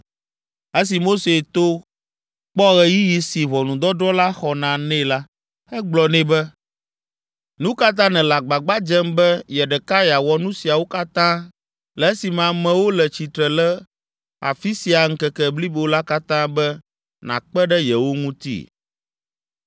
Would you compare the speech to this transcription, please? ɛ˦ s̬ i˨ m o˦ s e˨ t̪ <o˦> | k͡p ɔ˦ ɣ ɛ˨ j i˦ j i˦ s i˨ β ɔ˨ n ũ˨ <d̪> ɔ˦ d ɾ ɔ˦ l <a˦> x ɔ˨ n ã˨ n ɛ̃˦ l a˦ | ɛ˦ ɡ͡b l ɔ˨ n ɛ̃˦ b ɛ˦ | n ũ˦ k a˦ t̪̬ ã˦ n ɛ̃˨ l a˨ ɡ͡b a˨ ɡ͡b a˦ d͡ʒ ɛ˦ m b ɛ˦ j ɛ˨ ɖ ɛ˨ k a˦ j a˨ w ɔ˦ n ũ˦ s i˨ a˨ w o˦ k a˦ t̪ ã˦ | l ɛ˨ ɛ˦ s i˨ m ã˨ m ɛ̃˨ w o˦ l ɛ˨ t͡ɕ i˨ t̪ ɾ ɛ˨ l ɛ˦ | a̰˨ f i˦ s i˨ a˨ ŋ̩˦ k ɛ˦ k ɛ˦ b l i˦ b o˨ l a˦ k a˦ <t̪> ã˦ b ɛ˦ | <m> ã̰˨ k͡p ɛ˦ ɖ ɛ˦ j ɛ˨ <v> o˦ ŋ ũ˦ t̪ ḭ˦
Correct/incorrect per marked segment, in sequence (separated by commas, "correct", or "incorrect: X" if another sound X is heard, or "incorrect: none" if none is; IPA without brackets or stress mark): correct, correct, correct, correct, incorrect: n, incorrect: w